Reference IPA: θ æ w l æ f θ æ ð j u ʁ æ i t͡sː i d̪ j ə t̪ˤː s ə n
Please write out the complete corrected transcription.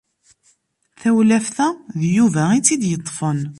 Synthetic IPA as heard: θ æ w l æ f θ æ ð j u v æ i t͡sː i d̪ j ə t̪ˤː f ə n